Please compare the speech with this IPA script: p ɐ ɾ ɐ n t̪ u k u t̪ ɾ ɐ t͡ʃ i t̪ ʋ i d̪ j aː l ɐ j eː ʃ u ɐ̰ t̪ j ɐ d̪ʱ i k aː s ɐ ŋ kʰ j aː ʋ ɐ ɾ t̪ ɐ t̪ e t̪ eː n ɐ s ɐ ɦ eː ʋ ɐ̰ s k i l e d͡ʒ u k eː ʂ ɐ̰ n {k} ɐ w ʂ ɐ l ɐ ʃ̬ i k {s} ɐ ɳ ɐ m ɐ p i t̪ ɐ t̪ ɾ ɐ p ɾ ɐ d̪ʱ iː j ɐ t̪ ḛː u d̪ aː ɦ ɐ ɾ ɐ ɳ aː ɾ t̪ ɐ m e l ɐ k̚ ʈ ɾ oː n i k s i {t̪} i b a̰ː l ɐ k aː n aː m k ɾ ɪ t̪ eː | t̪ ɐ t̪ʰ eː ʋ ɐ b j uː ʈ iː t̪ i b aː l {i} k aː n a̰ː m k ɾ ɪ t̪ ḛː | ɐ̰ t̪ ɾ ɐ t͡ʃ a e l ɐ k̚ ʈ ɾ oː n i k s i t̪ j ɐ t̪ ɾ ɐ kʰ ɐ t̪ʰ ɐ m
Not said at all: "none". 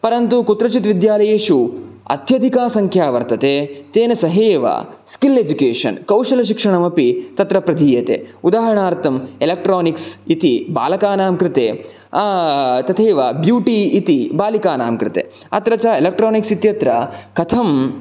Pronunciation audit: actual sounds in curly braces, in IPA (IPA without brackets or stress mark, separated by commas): k, ʂ, t̪, i